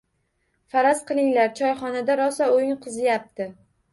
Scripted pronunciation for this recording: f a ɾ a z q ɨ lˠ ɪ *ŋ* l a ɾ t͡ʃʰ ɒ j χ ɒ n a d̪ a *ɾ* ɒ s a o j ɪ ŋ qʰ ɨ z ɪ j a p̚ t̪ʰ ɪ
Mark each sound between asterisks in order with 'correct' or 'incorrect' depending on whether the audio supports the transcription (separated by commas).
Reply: correct, correct